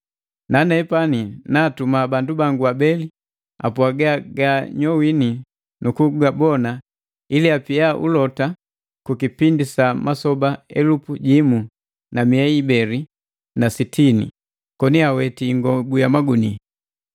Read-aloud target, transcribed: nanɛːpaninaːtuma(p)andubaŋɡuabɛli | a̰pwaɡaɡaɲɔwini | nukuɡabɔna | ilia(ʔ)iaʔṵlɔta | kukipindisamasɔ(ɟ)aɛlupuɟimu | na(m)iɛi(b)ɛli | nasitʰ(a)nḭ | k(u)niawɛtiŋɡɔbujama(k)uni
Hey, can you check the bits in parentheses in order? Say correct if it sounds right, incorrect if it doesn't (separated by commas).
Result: incorrect, incorrect, incorrect, correct, correct, incorrect, incorrect, incorrect